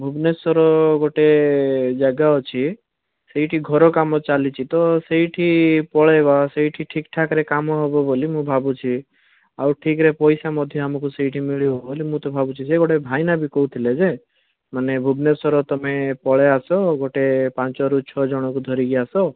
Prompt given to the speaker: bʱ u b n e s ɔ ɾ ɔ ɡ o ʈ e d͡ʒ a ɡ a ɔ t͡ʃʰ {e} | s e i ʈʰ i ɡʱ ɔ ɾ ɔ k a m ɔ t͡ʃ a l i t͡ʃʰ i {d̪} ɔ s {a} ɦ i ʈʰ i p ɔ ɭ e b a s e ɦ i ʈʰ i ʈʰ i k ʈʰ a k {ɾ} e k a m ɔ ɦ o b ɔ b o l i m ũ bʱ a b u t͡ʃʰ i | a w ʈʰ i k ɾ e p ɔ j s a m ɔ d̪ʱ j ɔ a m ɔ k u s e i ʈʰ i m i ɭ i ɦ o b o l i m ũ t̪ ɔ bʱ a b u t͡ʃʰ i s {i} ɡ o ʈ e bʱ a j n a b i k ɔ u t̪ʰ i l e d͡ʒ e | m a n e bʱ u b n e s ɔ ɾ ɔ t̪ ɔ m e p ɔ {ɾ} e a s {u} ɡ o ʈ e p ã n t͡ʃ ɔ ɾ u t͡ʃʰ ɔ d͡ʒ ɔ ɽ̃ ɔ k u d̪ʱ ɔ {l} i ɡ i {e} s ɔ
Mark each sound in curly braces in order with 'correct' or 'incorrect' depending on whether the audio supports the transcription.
incorrect, incorrect, incorrect, correct, incorrect, incorrect, incorrect, incorrect, incorrect

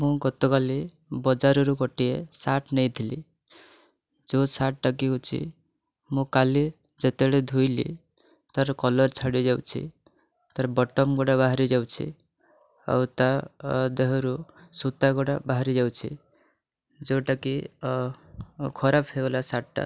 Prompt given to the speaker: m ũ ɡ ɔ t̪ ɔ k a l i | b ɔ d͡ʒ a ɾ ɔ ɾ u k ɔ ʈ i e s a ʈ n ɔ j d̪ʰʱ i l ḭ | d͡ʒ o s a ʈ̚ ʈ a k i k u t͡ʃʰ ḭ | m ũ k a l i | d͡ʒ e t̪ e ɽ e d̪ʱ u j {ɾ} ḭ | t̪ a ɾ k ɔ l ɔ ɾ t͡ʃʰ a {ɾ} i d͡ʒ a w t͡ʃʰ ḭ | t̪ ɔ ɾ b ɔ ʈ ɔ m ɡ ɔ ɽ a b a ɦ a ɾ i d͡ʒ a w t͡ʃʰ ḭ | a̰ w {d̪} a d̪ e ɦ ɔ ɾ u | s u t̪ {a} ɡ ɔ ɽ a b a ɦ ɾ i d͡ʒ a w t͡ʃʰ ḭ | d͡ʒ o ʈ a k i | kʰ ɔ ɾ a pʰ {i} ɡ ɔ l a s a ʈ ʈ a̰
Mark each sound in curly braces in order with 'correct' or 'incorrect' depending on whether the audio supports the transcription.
incorrect, incorrect, incorrect, correct, incorrect

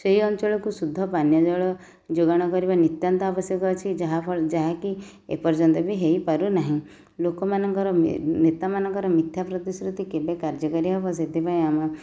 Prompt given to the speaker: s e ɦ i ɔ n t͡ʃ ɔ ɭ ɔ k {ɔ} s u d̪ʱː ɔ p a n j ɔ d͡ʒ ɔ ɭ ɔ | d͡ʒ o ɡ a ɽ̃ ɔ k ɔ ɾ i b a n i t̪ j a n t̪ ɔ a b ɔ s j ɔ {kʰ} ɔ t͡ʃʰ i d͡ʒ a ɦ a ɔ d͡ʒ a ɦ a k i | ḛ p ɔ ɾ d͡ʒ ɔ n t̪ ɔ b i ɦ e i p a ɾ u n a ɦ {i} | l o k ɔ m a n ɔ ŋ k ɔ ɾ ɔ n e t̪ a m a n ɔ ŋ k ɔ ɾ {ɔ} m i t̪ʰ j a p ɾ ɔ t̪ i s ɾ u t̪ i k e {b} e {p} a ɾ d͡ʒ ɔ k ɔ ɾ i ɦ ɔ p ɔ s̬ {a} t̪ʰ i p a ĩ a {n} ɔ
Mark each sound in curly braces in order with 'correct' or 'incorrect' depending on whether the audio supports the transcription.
incorrect, incorrect, incorrect, correct, correct, incorrect, incorrect, incorrect

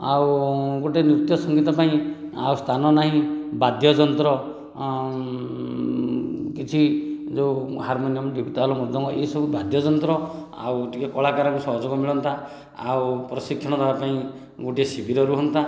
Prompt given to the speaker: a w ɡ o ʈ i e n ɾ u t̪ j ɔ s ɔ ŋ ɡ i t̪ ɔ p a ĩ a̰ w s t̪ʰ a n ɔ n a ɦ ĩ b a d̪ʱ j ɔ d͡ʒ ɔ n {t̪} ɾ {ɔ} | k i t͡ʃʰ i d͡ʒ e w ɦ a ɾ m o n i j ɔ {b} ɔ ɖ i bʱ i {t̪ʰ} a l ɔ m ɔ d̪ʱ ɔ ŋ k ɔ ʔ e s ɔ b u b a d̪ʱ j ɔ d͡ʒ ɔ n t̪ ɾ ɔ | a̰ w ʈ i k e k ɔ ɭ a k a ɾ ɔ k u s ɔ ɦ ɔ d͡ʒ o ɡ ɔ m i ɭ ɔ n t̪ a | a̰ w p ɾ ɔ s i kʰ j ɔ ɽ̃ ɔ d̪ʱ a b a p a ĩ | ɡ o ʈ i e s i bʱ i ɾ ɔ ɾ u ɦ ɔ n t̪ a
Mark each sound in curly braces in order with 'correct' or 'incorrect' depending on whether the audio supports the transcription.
correct, correct, incorrect, incorrect

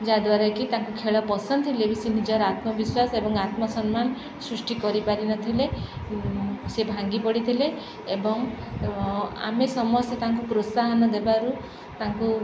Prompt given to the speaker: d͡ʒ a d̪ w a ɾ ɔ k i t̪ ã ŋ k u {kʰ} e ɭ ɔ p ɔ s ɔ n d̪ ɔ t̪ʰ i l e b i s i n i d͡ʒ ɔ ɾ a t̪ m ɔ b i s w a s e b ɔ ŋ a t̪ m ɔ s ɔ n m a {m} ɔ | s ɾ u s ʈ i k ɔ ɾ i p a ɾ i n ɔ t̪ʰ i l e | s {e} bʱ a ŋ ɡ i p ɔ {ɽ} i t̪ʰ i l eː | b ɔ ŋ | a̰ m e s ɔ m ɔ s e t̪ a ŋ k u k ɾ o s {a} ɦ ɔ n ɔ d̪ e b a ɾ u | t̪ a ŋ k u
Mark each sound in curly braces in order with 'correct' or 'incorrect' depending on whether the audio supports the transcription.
correct, incorrect, correct, correct, correct

